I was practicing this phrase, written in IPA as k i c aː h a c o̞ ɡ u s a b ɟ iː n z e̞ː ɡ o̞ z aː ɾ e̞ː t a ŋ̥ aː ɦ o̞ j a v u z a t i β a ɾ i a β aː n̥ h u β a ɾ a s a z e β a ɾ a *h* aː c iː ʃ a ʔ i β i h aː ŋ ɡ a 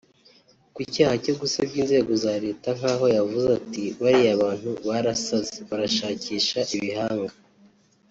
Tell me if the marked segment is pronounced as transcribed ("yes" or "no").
no